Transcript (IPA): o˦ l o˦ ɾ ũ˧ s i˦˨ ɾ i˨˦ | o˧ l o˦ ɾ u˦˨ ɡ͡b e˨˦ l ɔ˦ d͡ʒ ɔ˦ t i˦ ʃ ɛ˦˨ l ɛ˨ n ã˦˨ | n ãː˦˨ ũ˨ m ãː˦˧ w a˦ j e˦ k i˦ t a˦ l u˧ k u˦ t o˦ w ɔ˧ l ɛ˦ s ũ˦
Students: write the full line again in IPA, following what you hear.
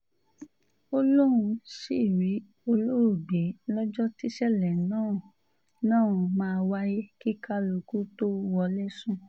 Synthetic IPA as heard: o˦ l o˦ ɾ ũ˧ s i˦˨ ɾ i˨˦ | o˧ l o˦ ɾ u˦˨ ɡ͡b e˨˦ l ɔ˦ d͡ʒ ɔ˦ t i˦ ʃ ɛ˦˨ l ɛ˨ n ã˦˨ | n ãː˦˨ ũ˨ m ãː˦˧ w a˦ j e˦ k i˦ k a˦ l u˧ k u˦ t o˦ w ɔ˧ l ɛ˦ s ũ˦